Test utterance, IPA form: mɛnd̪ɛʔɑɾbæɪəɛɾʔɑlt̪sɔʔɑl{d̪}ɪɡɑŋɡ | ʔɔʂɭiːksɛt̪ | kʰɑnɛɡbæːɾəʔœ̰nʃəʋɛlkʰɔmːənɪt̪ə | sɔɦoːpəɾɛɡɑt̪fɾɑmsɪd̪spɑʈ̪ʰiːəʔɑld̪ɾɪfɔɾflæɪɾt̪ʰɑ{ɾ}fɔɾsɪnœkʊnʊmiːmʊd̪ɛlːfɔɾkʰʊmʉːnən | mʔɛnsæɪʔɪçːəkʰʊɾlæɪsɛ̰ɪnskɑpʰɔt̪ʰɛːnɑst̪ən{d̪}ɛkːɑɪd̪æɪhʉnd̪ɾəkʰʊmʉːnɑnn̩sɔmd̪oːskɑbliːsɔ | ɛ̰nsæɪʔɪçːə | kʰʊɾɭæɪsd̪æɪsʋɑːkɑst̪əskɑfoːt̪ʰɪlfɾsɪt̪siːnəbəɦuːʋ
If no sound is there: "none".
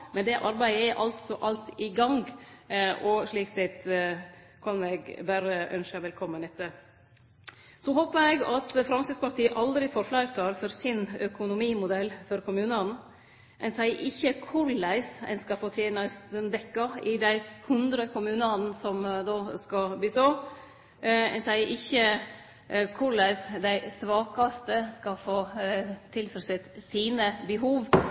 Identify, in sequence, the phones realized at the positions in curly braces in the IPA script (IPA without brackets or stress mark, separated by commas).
t̪, ɾ, d̪